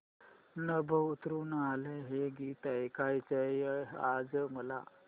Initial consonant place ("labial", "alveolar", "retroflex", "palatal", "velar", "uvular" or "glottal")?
alveolar